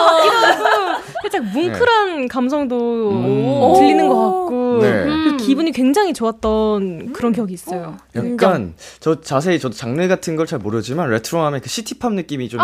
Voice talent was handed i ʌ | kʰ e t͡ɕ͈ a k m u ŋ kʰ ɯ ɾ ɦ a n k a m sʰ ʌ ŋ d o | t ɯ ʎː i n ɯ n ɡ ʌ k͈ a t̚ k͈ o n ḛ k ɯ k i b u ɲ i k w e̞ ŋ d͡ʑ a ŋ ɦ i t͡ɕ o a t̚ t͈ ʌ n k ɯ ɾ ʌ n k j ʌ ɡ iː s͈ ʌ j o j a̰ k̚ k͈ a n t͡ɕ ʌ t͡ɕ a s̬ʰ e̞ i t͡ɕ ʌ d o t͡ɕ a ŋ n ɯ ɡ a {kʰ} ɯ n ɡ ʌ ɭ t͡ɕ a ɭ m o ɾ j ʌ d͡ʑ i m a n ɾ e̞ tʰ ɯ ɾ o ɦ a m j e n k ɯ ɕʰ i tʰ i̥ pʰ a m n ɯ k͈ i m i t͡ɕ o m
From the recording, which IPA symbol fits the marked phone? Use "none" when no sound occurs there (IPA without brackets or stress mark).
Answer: tʰ